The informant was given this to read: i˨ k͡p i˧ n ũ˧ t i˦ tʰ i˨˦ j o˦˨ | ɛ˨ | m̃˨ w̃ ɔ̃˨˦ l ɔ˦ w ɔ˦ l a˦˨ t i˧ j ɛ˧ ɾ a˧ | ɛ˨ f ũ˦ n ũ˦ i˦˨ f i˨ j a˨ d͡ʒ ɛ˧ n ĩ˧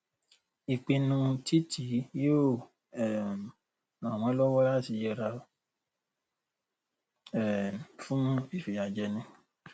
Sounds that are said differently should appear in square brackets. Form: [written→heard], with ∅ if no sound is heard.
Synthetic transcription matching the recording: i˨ k͡p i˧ n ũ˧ t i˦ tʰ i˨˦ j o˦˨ | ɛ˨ | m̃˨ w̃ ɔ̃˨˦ l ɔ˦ w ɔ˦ l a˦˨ t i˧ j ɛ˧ ɾ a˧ | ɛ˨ f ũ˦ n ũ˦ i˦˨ f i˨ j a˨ d͡ʒ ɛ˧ n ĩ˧